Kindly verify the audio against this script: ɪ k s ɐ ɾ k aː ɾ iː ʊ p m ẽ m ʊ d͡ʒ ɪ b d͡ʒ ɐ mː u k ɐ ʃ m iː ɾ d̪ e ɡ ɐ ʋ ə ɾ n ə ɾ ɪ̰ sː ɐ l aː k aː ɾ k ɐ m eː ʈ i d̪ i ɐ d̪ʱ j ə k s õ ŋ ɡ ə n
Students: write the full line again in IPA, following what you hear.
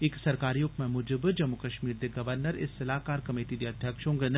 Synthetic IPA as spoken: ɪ k s ɐ ɾ k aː ɾ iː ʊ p m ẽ m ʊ d͡ʒ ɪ b d͡ʒ ɐ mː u k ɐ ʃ m iː ɾ d̪ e ɡ ɐ ʋ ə ɾ n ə ɾ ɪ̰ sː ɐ l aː k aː ɾ k ɐ m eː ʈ i d̪ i ɐ d̪ʱ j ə k ʃ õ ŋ ɡ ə n